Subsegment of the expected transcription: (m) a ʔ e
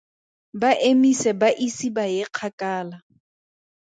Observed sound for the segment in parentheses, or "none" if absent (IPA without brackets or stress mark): b